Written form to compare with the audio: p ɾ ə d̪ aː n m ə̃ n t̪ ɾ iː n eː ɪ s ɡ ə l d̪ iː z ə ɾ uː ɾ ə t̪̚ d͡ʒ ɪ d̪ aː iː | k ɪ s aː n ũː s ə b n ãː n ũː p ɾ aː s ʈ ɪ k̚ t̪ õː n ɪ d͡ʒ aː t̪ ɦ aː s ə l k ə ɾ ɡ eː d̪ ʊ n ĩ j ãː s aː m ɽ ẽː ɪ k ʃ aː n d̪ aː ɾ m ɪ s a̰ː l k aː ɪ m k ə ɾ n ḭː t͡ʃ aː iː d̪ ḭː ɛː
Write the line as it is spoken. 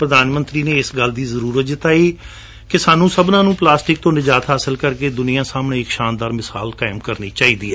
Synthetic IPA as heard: p ɾ ə d̪ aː n m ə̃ n t̪ ɾ iː n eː ɪ s ɡ ə l d̪ iː z ə ɾ uː ɾ ə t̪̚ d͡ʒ ɪ t̪ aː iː | k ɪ s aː n ũː s ə b n ãː n ũː p l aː s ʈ ɪ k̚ t̪ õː n ɪ d͡ʒ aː t̪ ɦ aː s ə l k ə ɾ k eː d̪ ʊ n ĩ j ãː s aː m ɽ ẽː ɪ k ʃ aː n d̪ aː ɾ m ɪ s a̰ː l k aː ɪ m k ə ɾ n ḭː t͡ʃ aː iː d̪ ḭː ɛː

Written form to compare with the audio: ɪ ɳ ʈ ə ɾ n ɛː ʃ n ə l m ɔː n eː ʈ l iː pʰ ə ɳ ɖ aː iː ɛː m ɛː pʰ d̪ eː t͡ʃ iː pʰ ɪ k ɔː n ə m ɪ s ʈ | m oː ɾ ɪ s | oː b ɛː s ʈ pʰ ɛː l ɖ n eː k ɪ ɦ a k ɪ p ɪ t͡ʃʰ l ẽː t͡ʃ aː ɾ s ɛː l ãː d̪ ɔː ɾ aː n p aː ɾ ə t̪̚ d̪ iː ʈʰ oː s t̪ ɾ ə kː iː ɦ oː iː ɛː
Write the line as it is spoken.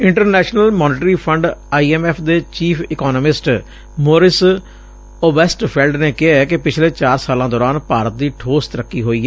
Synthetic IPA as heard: ɪ ɳ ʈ ə ɾ n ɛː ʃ n ə l m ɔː n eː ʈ ɾ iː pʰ ə ɳ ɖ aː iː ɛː m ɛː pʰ d̪ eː t͡ʃ iː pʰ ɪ k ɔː n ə m ɪ s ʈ | m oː ɾ ɪ s | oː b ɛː s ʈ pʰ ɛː l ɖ n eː k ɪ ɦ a k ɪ p ɪ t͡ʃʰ l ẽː t͡ʃ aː ɾ s aː l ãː d̪ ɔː ɾ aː n p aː ɾ ə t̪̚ d̪ iː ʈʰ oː s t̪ ɾ ə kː iː ɦ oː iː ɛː

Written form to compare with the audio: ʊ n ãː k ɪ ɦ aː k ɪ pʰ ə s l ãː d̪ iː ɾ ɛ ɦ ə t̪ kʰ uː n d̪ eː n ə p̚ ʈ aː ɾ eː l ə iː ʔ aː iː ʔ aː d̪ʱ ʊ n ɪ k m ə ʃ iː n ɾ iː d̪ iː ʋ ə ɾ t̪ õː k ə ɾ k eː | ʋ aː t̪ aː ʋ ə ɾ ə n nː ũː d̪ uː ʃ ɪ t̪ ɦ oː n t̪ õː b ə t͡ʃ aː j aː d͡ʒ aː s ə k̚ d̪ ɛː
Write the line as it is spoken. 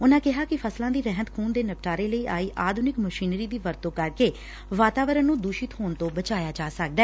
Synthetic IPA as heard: ʊ n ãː k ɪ ɦ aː k ɪ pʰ ə s l ãː d̪ iː ɾ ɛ ɦ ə t̪ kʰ uː n d̪ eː n ə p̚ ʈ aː ɾ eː l ə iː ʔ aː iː ʔ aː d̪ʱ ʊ n ɪ k m ə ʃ iː n ɾ iː d̪ iː ʋ ə ɾ t̪ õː k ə ɾ k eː | ʋ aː t̪ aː ʋ ə ɾ ə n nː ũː d̪ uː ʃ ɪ t̪ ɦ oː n t̪ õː b ə t͡ʃ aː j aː d͡ʒ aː s ə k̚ d̪ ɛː

